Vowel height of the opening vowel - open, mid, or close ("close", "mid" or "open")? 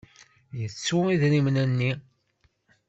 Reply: mid